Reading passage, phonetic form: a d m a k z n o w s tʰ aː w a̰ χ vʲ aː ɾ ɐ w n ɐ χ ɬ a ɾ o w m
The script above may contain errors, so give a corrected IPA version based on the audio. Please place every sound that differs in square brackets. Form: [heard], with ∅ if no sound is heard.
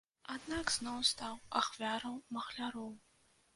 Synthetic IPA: a d [n] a k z n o w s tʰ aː w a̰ χ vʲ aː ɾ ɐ w [m] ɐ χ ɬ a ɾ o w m